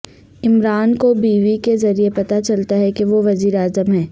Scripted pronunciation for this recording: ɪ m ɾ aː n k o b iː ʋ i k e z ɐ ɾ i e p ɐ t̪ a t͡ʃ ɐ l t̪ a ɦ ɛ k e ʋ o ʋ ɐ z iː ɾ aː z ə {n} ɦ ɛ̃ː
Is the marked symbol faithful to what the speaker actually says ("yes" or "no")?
no